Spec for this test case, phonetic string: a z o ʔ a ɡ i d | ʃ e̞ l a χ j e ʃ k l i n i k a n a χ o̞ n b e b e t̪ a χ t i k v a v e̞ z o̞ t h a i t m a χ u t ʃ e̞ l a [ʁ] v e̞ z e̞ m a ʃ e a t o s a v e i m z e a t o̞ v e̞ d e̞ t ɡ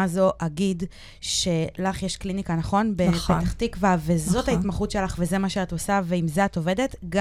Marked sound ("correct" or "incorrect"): incorrect